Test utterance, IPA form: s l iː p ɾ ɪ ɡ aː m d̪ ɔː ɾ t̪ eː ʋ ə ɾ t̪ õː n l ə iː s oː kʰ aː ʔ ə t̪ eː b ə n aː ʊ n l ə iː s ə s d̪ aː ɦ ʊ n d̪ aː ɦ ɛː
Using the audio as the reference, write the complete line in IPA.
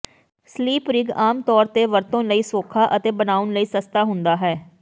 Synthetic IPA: s l iː p ɾ ɪ ɡ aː m t̪ ɔː ɾ t̪ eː ʋ ə ɾ t̪ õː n l ə iː s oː kʰ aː ʔ ə t̪ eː b ə n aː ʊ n l ə iː s ə s t̪ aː ɦ ʊ n d̪ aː ɦ ɛː